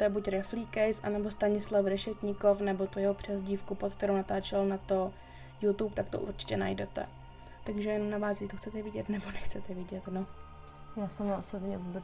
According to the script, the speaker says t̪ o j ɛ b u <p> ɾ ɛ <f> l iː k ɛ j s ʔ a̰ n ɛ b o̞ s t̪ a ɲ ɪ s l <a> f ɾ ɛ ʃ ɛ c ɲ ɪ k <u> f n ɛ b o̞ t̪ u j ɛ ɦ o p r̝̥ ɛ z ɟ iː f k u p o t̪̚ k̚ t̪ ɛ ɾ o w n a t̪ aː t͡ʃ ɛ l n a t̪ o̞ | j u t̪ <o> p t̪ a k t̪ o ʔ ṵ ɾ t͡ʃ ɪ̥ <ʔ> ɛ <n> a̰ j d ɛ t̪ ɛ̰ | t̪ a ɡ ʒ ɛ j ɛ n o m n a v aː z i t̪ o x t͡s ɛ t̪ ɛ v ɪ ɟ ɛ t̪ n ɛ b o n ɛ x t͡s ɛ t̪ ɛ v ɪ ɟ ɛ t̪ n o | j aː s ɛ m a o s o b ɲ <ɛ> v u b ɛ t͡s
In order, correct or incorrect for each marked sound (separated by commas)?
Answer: incorrect, correct, correct, incorrect, incorrect, incorrect, correct, correct